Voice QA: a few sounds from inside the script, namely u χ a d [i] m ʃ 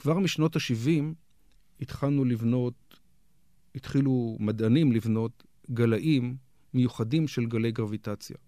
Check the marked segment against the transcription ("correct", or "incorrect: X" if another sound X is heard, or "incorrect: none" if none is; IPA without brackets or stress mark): correct